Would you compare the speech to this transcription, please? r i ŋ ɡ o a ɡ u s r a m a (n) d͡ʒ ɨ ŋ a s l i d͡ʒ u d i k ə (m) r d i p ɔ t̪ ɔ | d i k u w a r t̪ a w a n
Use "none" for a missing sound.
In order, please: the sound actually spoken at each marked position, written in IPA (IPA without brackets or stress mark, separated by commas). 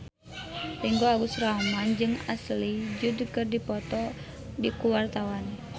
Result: n, none